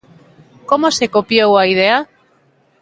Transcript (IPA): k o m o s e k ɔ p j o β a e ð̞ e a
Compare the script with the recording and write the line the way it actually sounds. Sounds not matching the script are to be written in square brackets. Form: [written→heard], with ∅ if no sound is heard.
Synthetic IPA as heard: k o m o s e k [ɔ→o] p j o [β→w] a [e→i] ð̞ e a